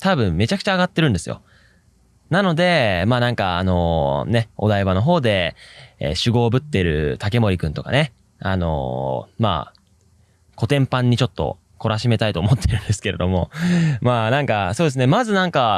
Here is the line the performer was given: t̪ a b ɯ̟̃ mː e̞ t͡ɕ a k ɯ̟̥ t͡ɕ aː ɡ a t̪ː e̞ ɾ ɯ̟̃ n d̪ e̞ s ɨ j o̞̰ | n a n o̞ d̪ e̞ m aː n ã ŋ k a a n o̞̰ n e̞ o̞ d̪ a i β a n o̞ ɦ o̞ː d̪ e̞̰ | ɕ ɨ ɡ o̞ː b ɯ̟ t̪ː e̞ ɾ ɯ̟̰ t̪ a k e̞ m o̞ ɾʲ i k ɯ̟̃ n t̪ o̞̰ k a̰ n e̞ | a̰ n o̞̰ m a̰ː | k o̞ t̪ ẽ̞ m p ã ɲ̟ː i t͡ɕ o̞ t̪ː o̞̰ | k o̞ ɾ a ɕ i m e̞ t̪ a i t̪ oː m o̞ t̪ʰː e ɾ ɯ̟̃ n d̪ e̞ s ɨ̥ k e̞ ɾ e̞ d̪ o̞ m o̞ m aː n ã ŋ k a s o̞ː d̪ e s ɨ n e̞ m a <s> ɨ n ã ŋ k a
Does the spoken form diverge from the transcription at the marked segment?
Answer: yes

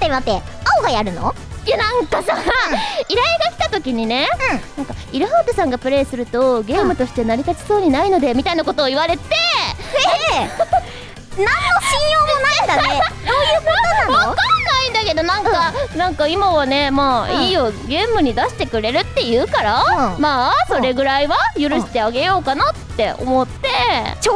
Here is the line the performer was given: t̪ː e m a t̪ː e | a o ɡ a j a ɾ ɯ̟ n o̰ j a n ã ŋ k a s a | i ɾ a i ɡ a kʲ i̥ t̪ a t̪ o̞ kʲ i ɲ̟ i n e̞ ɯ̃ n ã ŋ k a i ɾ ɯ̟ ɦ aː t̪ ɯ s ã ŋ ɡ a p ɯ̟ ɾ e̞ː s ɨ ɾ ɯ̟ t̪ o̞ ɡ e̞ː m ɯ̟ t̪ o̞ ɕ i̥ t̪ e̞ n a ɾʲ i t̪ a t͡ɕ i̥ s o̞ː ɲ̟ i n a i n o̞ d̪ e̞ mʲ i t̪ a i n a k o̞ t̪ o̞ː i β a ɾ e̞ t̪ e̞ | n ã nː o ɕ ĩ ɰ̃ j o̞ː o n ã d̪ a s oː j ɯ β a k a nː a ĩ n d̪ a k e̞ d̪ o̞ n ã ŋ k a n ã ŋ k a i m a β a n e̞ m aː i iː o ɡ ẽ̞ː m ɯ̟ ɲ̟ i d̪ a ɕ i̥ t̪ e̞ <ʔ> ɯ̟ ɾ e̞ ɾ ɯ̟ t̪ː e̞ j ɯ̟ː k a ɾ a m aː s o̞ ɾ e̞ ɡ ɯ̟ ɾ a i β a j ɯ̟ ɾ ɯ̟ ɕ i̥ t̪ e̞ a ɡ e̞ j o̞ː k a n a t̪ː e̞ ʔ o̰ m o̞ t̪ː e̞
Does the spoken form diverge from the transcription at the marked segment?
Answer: yes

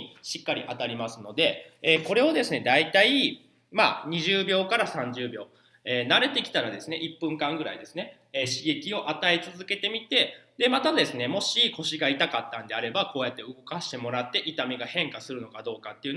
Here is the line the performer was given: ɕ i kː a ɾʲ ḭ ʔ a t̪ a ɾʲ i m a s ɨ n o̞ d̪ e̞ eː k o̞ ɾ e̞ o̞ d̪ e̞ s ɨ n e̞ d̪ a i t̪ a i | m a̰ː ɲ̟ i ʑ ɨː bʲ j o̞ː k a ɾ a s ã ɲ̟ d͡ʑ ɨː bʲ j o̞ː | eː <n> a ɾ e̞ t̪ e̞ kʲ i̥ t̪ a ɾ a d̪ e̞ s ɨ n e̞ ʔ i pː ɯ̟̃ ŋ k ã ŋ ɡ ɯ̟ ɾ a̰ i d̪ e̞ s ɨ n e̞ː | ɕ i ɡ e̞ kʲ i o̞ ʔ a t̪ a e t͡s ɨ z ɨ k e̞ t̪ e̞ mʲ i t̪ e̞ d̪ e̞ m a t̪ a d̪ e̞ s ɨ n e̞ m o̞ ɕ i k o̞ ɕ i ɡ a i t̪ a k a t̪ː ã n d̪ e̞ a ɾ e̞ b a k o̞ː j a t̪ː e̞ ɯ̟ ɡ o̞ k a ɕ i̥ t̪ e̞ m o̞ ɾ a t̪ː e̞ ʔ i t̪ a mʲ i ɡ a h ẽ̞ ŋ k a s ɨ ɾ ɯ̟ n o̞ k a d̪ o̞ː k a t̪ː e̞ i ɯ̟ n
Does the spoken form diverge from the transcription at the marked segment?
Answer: no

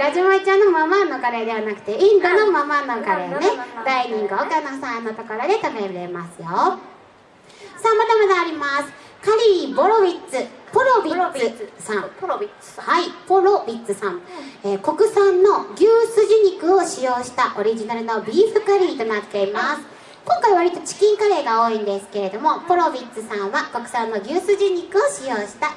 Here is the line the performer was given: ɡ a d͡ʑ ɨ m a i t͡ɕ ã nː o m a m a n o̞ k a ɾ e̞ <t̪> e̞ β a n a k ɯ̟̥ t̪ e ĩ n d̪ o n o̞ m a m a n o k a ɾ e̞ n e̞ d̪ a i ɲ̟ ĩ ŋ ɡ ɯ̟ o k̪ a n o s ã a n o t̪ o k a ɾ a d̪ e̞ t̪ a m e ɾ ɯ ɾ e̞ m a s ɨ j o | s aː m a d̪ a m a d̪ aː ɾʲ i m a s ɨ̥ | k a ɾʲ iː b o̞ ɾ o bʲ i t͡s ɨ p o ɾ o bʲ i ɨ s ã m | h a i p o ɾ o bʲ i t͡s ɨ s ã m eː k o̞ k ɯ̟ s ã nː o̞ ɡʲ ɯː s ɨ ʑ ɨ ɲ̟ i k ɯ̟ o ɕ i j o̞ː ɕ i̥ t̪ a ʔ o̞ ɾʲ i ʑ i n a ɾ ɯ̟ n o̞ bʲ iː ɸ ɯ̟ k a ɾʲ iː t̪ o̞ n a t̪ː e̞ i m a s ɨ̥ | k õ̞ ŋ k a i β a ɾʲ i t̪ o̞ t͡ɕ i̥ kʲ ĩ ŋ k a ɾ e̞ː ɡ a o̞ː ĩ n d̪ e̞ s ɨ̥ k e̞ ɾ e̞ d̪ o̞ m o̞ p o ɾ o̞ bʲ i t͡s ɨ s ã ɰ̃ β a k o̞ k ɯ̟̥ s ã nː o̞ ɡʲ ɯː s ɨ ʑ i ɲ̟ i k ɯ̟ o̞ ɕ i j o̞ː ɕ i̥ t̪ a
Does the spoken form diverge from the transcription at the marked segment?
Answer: yes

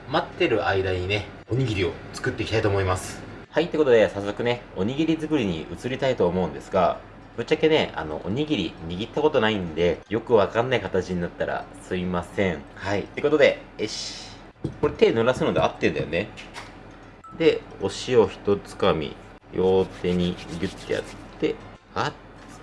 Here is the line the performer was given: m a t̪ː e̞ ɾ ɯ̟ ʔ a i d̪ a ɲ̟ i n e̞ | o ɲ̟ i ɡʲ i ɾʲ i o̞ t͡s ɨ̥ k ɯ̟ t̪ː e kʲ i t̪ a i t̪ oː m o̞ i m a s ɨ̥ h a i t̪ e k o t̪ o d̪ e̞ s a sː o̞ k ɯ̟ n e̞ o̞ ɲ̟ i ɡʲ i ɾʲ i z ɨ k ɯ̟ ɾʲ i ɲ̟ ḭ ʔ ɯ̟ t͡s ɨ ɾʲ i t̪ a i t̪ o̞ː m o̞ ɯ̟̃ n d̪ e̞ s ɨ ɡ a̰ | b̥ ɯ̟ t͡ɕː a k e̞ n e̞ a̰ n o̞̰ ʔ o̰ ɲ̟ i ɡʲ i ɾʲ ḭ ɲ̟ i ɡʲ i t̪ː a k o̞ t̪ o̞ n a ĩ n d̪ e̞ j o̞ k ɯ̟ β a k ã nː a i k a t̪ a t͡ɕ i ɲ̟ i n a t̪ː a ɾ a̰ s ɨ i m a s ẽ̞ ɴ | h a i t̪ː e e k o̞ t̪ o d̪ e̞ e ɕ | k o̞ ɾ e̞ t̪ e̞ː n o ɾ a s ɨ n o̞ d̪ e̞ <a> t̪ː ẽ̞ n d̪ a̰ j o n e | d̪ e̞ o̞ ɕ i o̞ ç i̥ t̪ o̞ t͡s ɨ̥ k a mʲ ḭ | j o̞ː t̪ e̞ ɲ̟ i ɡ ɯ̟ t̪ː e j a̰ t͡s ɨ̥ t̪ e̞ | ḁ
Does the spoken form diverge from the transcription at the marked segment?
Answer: no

